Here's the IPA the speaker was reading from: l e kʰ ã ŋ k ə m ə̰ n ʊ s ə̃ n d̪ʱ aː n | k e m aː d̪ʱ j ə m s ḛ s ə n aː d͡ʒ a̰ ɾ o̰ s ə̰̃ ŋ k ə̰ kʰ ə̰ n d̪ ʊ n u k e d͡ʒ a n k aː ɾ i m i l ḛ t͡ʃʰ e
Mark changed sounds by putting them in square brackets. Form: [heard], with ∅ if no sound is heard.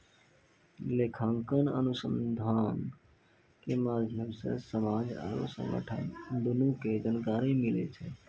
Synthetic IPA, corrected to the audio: l e kʰ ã ŋ k ə [n] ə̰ n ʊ s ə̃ n d̪ʱ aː n | k e m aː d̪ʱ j ə m s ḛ s ə [m] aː d͡ʒ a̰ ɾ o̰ s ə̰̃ ŋ [ɡ] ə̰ [ʈʰ] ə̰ n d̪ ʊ n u k e d͡ʒ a n k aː ɾ i m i l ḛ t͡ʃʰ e